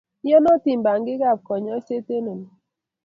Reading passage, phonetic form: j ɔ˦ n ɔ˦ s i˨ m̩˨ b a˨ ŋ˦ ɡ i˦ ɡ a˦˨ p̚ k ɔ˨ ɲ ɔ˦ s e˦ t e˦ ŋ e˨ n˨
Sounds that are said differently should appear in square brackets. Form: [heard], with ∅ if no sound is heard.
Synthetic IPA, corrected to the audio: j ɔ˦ n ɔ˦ [t] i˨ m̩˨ b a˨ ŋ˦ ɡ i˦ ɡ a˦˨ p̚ k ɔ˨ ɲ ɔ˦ s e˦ t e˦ [n] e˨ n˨

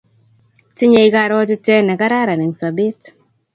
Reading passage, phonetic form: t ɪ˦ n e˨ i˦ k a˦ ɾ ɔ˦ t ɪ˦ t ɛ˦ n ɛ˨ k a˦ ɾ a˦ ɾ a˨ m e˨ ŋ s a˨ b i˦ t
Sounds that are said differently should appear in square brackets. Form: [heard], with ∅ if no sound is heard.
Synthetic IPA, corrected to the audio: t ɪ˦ [ɲ] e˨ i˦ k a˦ ɾ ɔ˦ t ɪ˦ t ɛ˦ n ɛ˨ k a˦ ɾ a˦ ɾ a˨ [n] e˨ ŋ s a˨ b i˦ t

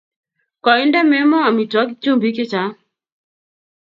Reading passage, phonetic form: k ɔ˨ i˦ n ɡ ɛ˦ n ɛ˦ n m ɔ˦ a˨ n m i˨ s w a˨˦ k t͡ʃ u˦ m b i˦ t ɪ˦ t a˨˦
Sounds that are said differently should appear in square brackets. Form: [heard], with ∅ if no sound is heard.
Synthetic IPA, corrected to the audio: k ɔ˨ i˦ n [d] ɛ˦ [m] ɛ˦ [∅] m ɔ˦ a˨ [∅] m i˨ [t] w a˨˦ k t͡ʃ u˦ m b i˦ [k] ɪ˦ [t͡ʃ] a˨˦

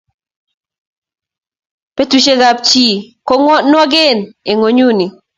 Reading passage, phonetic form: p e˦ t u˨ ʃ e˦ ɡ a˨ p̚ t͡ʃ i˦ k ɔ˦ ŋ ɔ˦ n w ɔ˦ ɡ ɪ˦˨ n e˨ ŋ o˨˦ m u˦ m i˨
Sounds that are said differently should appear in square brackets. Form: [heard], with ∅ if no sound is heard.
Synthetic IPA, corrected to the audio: p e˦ t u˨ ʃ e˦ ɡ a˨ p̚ t͡ʃ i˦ k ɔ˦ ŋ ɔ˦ n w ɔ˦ ɡ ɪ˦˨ n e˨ ŋ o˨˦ [ɲ] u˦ [n] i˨

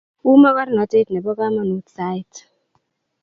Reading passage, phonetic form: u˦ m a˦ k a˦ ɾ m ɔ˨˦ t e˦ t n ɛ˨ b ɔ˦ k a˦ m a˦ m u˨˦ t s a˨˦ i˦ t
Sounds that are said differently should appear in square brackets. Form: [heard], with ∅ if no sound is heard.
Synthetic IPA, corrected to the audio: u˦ m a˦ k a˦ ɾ [n] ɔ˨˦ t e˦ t n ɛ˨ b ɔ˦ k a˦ m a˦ [n] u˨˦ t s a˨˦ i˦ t

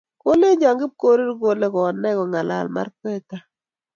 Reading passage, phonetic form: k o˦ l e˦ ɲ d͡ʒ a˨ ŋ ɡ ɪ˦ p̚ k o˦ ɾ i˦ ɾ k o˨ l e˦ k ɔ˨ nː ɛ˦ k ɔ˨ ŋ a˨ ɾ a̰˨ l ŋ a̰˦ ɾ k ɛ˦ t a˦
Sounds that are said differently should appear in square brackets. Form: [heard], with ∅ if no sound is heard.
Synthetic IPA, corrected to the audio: k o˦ l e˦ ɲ d͡ʒ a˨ ŋ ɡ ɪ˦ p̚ k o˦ ɾ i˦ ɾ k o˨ l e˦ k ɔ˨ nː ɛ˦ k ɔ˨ ŋ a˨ [l] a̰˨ l [m] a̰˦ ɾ k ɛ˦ t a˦

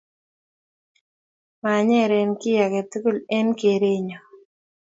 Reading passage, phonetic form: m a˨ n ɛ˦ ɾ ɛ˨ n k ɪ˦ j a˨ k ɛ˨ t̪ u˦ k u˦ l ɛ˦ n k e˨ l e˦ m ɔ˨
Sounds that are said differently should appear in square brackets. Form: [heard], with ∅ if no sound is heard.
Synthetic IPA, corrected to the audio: m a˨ [ɲ] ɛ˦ ɾ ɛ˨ n k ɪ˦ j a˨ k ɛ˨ t̪ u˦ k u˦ l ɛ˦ n k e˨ [ɾ] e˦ [ɲ] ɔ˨

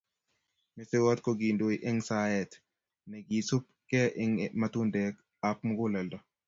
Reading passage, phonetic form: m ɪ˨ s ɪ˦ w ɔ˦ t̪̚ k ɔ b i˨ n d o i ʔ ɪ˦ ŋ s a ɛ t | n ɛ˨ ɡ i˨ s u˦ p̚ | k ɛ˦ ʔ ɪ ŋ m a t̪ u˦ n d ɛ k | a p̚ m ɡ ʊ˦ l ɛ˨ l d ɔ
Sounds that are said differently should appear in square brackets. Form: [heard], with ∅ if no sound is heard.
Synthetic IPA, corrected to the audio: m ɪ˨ s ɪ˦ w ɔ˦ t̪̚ k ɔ [ɡ] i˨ n d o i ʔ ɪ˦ ŋ s a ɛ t | n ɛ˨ ɡ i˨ s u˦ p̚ | k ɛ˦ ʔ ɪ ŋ m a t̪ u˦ n d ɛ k | a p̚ m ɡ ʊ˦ l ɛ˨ l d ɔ

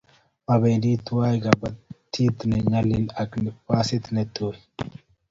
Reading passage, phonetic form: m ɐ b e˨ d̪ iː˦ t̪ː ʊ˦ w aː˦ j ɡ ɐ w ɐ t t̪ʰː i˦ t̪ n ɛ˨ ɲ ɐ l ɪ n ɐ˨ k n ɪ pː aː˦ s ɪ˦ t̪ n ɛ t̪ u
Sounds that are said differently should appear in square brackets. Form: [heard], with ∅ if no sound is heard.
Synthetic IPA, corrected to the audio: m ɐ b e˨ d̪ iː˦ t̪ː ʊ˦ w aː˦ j ɡ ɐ [b] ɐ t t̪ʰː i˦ t̪ n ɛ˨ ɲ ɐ l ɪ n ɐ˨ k n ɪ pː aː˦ s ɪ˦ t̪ n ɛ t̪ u

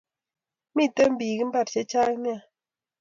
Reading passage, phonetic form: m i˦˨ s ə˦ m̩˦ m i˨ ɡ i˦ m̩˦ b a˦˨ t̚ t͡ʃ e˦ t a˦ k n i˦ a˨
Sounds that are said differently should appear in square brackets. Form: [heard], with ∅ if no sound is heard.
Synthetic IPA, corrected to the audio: m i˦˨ [t] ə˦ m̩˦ [b] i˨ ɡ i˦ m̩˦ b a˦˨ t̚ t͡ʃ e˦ [t͡ʃ] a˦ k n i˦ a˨

